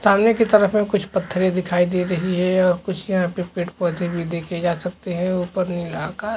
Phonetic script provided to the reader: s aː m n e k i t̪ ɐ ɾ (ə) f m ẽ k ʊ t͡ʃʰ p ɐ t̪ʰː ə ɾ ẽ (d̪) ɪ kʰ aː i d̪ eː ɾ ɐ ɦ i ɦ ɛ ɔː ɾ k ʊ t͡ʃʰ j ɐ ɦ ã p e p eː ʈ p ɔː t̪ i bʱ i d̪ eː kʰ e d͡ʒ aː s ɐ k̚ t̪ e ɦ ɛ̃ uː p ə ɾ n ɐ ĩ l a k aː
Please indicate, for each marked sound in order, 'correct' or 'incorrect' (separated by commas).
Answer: correct, correct